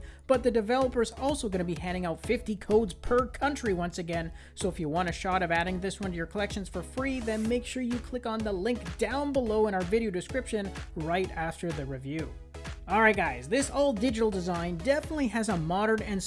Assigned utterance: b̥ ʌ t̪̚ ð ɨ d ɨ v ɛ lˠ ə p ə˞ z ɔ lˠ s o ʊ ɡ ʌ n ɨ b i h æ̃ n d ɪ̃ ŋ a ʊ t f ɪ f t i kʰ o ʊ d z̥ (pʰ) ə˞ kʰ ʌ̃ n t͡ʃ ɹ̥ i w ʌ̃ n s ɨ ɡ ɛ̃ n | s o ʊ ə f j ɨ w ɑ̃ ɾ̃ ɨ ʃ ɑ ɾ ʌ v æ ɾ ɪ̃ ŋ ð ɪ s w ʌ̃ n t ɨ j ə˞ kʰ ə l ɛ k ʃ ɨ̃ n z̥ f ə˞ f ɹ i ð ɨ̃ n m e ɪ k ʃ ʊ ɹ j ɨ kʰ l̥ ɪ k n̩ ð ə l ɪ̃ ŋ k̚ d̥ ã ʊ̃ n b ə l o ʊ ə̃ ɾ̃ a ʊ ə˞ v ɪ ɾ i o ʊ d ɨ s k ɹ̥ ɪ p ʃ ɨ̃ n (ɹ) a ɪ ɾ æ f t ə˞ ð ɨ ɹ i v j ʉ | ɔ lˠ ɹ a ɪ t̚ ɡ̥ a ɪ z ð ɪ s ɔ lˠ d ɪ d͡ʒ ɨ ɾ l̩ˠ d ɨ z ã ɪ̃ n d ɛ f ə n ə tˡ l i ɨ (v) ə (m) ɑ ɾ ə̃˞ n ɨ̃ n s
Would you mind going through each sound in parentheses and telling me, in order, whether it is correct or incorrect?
correct, correct, incorrect: z, correct

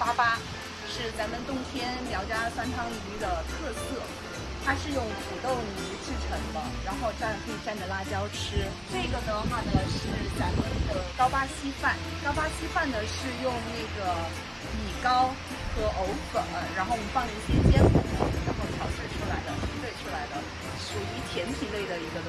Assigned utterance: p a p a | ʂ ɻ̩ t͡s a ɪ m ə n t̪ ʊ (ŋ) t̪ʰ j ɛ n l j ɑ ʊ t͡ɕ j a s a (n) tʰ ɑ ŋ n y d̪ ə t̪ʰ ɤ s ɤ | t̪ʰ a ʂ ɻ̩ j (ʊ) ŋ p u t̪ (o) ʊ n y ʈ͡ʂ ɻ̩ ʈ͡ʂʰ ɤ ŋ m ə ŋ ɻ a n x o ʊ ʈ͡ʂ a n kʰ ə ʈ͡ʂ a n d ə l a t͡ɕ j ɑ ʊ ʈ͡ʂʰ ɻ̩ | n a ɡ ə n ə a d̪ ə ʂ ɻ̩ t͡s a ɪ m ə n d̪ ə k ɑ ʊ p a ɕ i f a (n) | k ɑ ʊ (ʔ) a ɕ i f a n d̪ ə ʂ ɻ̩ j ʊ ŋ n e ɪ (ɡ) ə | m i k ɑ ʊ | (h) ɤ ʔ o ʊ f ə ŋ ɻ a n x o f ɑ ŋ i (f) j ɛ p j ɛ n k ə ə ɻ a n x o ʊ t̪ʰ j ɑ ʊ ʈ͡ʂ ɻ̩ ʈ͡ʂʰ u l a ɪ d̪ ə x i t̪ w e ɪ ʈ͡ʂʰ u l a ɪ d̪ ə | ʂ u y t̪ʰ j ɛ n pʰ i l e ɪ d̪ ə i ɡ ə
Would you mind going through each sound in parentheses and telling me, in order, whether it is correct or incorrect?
correct, correct, correct, correct, correct, incorrect: p, correct, incorrect: x, incorrect: ɕ

